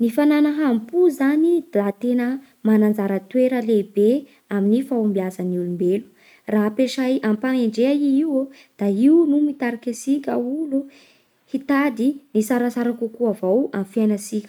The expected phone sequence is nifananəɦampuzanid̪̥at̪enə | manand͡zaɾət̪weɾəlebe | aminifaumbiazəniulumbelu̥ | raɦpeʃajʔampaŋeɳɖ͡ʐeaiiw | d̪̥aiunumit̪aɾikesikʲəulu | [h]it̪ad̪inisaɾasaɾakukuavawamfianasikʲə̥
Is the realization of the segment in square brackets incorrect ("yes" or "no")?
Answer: no